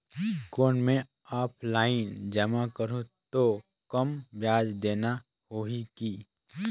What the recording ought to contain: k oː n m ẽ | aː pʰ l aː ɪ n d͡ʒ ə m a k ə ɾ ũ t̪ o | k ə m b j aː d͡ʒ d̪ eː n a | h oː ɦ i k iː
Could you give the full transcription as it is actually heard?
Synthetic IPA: k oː n m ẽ | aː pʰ l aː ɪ n d͡ʒ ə m a k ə ɾ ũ t̪ o | k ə m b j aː d͡ʒ d̪ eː n a | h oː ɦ i k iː